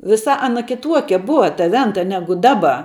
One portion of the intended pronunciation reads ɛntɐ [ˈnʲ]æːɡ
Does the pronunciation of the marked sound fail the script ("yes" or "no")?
no